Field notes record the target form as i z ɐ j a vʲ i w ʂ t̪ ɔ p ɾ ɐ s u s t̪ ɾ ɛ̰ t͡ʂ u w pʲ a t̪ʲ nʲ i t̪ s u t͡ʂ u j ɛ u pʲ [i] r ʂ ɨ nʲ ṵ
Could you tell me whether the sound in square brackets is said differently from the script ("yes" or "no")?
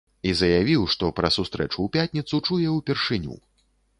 yes